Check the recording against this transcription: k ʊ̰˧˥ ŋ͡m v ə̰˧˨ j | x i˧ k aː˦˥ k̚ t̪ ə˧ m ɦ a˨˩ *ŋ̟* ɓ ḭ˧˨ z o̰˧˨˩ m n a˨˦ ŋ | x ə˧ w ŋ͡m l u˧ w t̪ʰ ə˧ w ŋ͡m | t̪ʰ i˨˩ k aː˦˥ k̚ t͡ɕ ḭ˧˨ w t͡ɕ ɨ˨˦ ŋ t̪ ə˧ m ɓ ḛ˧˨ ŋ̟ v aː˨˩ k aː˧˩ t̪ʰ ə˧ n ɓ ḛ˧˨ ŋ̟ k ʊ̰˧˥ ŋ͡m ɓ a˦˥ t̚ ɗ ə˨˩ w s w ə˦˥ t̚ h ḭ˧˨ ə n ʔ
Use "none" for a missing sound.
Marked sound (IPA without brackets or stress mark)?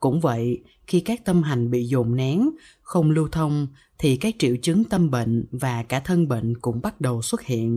ŋ̟